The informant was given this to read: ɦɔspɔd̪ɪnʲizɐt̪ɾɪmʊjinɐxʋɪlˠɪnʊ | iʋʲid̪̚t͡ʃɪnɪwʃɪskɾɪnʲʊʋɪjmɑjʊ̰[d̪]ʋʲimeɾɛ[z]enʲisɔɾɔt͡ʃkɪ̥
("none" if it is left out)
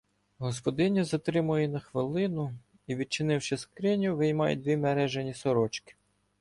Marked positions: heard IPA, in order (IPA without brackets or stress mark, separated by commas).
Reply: d̪, ʒ